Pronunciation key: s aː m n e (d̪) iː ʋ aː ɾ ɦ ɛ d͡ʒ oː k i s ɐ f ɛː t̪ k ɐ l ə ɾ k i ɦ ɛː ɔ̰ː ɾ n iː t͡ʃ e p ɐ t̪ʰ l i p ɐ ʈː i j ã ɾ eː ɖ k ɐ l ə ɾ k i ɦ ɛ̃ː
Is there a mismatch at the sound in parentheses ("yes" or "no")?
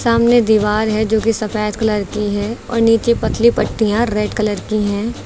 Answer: no